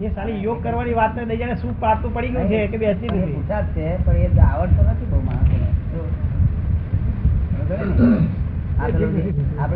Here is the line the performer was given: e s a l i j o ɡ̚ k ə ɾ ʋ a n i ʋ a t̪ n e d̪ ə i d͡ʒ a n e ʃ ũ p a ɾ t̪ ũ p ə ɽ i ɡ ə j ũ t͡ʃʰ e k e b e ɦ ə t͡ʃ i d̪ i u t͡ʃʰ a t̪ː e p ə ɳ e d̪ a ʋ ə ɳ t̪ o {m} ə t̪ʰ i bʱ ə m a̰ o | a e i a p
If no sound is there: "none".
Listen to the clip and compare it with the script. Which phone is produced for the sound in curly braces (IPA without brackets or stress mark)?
n